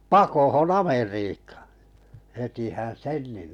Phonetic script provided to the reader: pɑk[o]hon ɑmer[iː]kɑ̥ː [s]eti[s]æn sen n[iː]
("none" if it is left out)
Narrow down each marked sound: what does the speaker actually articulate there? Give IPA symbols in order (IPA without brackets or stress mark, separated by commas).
o, iː, h, h, i